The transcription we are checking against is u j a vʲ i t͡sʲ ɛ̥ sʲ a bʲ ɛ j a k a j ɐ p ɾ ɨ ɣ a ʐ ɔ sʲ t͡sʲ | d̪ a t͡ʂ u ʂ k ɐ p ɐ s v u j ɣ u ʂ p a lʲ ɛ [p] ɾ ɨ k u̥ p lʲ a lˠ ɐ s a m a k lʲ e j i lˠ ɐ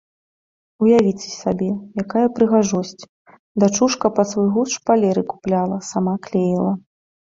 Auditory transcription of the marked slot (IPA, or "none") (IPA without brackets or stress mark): none